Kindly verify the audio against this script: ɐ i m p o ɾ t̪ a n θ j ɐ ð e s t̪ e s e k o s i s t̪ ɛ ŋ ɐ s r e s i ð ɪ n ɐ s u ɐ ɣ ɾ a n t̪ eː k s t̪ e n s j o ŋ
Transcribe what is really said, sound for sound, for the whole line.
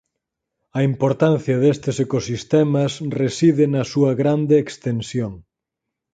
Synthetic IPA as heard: ɐ i m p o ɾ t̪ a n θ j ɐ ð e s t̪ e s e k o s i s t̪ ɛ m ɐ s r e s i ð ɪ n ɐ s u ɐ ɣ ɾ a n d̪ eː k s t̪ e n s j o ŋ